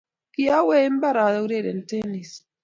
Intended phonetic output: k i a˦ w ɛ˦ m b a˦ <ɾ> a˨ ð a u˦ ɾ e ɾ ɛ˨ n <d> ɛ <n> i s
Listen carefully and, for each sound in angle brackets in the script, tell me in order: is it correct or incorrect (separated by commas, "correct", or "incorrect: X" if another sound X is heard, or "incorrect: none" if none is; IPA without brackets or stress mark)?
correct, incorrect: t, correct